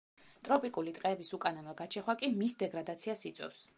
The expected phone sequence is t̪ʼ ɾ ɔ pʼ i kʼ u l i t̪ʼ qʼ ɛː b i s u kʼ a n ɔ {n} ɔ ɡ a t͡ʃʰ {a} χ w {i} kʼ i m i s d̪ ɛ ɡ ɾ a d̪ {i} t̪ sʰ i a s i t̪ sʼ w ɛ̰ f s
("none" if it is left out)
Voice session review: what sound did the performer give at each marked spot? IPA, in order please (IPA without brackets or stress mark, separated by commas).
n, ɛ, a, a